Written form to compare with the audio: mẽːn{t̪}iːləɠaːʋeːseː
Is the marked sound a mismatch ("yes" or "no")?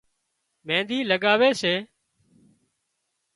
yes